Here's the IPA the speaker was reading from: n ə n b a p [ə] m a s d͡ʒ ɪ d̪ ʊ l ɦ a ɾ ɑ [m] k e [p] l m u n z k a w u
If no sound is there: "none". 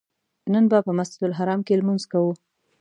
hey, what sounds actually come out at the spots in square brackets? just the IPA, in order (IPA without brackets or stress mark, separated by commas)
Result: ə, m, none